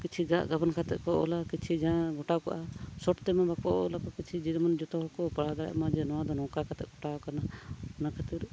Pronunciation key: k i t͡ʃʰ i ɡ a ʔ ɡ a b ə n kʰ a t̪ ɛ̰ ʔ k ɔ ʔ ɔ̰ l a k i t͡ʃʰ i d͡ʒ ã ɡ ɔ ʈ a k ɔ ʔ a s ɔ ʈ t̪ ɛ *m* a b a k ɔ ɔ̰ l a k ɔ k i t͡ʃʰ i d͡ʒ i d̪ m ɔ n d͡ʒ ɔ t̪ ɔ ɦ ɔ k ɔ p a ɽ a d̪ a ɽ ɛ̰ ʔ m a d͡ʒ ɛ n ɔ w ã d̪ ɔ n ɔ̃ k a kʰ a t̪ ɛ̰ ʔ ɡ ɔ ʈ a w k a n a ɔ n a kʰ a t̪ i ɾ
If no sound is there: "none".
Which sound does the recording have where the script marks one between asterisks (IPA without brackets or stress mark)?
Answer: m